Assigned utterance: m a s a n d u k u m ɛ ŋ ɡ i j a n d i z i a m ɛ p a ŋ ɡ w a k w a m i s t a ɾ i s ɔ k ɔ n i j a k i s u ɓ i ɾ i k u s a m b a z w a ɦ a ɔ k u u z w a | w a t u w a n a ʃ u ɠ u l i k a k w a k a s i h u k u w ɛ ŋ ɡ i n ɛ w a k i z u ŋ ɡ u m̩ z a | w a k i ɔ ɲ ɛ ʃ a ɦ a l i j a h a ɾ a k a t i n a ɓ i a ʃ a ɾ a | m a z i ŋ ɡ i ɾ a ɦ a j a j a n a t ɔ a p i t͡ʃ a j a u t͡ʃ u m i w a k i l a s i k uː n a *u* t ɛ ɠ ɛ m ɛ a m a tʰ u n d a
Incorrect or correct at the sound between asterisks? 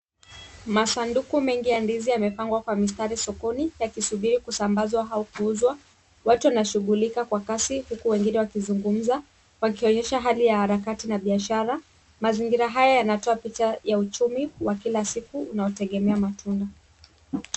incorrect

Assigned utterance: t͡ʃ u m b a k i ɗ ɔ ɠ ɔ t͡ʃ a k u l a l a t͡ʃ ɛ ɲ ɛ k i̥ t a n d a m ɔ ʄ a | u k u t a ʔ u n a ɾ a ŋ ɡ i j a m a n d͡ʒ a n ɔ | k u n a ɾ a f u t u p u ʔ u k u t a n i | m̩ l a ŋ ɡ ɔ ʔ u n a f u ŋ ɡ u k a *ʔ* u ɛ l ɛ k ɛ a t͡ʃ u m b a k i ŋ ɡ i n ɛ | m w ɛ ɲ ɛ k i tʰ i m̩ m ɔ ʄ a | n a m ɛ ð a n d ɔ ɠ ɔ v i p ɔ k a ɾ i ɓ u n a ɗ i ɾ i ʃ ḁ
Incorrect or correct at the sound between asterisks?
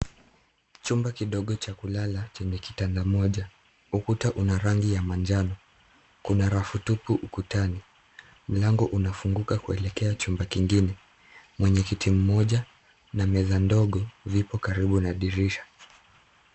incorrect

